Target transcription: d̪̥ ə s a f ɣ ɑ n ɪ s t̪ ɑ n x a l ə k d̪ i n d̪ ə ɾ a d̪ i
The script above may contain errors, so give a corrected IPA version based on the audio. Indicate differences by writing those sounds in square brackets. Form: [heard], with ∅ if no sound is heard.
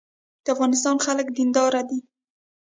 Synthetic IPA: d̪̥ ə [∅] a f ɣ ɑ n ɪ s t̪ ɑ n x a l ə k d̪ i n d̪ [ɑ] ɾ a d̪ i